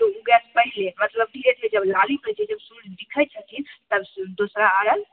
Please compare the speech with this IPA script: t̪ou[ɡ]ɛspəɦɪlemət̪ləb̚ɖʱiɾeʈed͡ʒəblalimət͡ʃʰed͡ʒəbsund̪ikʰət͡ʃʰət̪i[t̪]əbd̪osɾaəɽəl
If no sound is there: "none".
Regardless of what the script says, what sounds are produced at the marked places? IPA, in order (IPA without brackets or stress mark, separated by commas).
ɡ, t̪